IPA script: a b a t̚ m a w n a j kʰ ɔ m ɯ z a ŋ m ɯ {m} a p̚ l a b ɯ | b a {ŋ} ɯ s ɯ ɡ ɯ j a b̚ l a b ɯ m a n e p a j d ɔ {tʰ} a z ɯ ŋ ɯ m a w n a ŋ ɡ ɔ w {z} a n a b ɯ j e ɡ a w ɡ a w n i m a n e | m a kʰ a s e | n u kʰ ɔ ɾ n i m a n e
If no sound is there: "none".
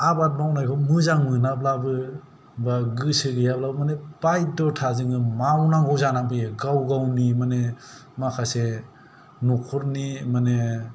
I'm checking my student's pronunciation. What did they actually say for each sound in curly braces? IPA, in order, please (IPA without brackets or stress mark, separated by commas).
n, ɡ, tʰ, z